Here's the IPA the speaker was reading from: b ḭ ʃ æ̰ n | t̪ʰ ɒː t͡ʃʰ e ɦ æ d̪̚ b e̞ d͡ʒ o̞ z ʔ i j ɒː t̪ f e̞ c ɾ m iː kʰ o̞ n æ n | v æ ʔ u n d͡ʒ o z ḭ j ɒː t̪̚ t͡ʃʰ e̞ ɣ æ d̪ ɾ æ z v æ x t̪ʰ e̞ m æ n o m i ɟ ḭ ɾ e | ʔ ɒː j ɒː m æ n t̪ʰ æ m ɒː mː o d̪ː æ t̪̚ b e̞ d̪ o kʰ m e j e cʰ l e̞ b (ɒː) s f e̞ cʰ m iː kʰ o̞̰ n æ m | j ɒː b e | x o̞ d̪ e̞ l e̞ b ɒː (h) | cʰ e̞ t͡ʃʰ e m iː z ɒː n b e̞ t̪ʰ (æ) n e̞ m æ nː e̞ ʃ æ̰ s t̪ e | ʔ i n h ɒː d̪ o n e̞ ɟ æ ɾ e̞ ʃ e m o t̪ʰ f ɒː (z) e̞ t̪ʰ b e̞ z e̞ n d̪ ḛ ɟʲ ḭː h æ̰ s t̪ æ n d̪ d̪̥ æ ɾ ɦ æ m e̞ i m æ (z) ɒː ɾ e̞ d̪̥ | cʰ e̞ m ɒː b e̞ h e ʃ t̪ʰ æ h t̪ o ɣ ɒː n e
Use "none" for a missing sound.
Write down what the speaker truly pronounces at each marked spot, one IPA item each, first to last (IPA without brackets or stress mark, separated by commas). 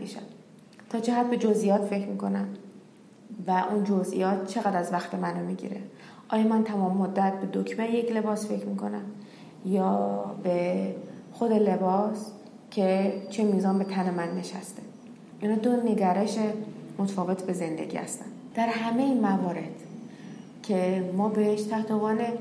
ɒː, s, æ, v, v